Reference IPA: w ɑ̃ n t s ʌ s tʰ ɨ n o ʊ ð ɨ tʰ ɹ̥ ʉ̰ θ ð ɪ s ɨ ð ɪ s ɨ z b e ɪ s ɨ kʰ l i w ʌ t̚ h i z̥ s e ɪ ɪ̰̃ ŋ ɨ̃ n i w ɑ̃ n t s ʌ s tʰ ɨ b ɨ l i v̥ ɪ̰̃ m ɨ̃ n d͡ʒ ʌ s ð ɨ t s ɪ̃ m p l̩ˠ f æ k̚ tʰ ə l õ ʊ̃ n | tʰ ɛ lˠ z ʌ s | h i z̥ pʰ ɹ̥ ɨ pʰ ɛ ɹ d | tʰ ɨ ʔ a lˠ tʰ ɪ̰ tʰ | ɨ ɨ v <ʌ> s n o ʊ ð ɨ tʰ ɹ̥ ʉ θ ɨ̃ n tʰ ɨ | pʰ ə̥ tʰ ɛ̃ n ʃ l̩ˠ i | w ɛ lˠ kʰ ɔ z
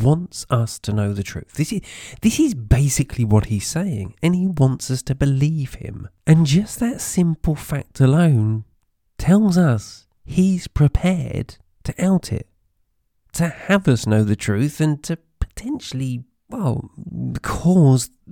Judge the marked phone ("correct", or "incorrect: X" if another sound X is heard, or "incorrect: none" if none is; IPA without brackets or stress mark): correct